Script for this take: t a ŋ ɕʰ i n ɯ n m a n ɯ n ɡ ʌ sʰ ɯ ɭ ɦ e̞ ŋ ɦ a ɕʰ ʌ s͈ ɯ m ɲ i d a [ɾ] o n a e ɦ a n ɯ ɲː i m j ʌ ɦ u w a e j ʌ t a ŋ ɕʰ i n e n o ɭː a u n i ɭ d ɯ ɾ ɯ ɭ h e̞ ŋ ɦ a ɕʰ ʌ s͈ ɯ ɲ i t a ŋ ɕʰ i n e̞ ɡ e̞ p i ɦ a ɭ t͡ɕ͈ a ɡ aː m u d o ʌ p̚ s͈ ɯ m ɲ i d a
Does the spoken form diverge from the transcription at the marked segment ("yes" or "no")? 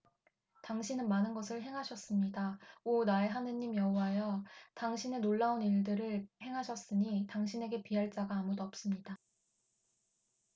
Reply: yes